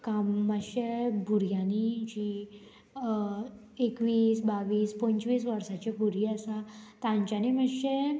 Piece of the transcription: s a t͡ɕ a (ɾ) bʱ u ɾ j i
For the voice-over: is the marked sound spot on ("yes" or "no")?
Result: no